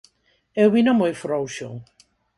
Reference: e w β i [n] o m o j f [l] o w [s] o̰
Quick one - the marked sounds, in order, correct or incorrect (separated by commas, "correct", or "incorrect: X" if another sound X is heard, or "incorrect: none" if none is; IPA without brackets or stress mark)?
correct, incorrect: ɾ, incorrect: ʃ